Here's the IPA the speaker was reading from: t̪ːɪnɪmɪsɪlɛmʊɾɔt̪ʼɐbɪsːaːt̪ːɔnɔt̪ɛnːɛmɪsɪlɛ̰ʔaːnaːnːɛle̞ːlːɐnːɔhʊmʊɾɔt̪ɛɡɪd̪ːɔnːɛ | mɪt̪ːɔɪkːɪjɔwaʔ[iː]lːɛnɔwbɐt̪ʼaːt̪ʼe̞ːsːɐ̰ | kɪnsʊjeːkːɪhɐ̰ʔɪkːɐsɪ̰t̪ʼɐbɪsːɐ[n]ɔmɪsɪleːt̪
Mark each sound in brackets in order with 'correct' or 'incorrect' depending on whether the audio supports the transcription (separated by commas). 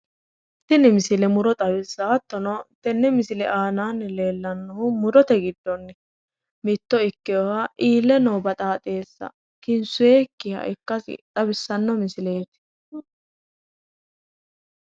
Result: correct, incorrect